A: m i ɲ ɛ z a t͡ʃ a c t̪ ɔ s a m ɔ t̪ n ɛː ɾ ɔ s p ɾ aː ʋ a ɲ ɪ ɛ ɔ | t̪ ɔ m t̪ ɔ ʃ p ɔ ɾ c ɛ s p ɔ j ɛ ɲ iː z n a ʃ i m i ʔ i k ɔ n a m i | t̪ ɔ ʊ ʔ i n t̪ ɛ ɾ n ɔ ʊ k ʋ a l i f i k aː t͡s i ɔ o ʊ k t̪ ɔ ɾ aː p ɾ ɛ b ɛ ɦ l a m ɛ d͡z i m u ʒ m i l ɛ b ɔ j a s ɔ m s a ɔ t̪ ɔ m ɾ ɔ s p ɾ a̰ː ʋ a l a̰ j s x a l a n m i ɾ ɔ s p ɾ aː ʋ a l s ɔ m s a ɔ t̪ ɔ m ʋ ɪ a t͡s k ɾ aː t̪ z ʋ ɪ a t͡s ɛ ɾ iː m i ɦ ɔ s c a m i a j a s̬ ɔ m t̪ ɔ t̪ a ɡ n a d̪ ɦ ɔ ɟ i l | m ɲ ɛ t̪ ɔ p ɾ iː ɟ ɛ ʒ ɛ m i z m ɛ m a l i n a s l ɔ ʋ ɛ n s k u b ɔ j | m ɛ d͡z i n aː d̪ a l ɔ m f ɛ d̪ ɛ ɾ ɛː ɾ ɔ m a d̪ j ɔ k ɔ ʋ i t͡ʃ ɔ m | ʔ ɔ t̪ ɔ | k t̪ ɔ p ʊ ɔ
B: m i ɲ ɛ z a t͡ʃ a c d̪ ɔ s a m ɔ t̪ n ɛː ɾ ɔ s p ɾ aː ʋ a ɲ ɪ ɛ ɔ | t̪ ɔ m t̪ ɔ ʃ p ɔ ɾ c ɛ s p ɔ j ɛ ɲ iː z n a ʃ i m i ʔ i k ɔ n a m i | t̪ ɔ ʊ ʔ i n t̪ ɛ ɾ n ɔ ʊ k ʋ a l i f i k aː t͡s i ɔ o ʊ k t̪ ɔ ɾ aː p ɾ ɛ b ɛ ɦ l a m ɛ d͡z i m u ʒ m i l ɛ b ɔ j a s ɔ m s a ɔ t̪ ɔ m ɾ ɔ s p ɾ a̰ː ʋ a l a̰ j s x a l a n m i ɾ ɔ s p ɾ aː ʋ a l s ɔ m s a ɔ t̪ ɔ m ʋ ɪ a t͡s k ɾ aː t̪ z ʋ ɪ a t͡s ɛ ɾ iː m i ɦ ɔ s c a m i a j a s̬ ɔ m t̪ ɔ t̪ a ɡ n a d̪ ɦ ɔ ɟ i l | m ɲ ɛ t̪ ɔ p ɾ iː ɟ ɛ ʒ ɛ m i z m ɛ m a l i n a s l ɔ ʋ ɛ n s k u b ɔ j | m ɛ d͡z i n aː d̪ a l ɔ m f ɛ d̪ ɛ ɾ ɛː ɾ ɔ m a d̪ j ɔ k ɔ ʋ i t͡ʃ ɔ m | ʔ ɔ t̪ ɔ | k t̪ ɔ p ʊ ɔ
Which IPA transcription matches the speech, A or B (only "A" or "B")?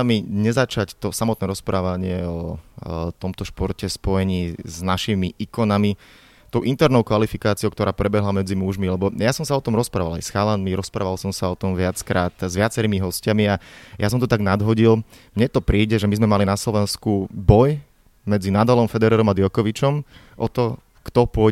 A